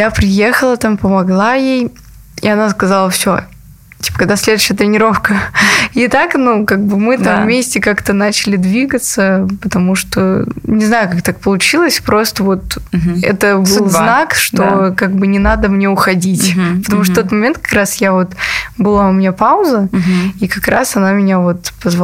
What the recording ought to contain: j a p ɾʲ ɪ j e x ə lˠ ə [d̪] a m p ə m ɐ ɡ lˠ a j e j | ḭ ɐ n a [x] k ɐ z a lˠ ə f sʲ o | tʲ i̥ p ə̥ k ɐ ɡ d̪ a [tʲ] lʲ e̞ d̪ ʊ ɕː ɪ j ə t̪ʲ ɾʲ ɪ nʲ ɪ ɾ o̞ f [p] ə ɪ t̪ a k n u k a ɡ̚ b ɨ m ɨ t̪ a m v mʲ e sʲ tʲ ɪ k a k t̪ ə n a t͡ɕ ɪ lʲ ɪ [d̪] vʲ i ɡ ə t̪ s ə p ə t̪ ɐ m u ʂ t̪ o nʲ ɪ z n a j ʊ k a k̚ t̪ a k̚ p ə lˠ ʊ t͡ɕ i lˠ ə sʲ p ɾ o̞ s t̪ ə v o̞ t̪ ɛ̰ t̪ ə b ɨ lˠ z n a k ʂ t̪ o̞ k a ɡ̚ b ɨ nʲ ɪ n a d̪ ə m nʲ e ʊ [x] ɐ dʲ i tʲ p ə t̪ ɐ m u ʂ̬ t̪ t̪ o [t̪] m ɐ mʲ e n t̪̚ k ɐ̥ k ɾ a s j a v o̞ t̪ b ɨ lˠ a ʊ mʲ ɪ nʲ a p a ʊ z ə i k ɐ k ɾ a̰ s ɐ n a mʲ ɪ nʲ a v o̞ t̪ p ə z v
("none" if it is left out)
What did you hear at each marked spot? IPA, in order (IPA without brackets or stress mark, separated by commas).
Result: t̪, s, sʲ, k, d̪, x, t̪